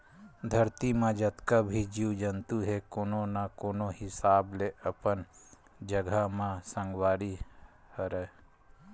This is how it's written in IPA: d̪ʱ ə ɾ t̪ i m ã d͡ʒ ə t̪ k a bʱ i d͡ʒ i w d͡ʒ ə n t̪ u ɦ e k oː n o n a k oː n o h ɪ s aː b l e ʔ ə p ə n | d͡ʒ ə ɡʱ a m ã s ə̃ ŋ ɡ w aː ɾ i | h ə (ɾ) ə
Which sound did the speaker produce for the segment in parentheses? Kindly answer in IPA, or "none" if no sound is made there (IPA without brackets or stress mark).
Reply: ɾ